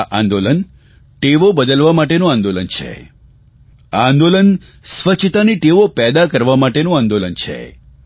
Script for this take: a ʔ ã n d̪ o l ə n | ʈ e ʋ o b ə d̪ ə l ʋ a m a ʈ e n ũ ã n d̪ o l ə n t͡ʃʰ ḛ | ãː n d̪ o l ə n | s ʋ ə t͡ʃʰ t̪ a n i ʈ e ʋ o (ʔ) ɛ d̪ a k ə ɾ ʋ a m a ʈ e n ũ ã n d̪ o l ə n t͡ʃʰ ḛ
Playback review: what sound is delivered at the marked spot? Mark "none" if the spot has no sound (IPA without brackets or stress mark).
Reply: p